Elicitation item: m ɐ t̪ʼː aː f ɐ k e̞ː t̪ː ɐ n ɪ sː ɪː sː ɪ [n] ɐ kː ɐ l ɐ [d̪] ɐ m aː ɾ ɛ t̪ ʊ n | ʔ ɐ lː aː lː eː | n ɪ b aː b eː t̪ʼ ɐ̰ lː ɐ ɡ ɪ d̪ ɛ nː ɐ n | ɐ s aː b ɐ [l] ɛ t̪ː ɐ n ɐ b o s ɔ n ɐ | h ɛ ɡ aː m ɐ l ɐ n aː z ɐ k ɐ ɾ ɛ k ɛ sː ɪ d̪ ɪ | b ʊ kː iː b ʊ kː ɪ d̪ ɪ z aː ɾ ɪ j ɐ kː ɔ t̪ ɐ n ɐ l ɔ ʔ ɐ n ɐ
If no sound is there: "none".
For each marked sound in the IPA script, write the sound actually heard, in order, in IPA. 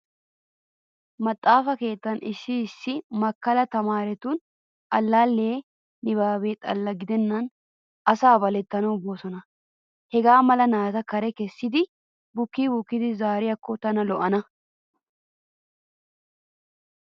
m, t̪, l

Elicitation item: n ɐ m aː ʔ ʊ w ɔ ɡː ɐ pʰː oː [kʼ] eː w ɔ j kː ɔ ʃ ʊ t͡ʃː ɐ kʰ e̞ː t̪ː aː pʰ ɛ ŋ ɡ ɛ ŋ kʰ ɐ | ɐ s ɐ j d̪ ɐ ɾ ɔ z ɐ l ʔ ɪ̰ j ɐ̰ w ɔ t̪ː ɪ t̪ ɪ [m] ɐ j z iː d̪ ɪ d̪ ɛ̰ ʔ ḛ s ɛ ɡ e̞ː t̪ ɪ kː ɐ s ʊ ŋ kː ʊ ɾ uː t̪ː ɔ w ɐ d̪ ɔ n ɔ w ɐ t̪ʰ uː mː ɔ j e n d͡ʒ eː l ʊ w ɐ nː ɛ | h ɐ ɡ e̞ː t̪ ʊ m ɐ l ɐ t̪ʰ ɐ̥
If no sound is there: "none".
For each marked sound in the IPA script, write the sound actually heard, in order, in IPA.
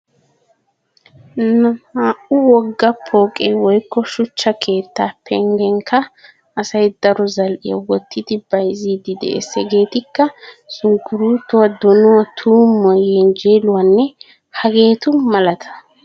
kʼ, b

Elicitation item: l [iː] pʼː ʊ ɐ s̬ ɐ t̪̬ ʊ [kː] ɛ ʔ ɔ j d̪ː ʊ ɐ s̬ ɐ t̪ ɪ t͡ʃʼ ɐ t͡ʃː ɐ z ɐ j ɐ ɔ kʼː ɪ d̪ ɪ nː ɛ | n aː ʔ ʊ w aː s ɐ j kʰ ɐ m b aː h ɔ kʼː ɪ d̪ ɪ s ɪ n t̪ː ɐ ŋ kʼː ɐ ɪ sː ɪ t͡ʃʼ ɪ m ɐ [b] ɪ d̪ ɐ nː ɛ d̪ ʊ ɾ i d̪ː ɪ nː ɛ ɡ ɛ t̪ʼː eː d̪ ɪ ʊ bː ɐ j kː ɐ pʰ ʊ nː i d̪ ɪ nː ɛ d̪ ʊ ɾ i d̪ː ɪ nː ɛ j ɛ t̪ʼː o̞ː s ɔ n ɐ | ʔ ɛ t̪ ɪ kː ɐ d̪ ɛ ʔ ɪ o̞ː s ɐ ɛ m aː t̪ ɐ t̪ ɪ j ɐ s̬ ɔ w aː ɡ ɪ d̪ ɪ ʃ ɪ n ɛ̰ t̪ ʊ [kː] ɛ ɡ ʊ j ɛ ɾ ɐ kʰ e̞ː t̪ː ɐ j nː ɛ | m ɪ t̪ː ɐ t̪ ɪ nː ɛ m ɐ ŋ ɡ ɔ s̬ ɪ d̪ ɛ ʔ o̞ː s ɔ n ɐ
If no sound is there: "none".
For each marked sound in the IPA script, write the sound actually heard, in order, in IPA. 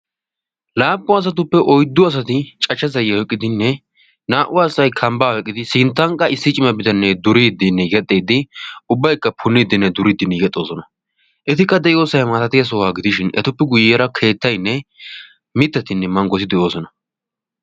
aː, pː, b, pː

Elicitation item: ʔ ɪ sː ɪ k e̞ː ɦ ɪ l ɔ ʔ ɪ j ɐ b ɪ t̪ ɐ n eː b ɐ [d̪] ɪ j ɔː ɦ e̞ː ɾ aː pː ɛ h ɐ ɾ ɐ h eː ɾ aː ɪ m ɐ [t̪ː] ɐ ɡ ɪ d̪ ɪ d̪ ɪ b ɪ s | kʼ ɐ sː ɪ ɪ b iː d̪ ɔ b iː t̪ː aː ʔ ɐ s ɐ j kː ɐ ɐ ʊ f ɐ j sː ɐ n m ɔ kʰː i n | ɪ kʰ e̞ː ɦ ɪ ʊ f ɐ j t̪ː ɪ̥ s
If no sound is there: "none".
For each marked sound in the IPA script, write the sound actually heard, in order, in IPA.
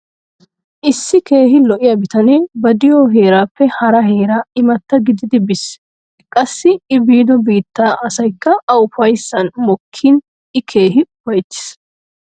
d̪, t̪ː

